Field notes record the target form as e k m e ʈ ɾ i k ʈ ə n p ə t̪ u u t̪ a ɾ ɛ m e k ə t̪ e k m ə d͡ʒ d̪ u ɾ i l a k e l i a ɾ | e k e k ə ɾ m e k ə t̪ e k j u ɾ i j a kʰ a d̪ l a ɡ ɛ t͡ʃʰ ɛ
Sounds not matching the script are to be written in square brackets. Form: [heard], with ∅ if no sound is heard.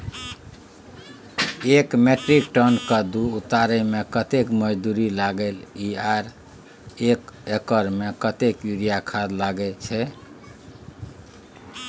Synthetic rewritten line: e k m e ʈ ɾ i k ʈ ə n [k] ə [d̪] u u t̪ a ɾ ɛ m e k ə t̪ e k m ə d͡ʒ d̪ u ɾ i l a [ɡ] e l i a ɾ | e k e k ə ɾ m e k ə t̪ e k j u ɾ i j a kʰ a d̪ l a ɡ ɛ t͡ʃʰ ɛ